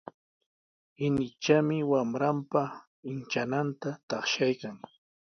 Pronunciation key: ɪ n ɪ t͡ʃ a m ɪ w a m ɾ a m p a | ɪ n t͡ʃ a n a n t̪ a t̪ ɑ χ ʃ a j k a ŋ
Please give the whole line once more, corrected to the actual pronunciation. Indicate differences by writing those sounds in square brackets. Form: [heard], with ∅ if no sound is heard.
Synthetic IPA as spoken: ɪ n ɪ t͡ʃ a m ɪ w a m ɾ a m p a | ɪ n t͡ʃ a n a n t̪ a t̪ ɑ χ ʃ a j k a ŋ